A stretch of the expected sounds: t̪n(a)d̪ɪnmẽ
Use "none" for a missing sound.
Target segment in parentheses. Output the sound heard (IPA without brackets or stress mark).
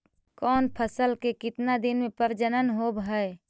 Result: a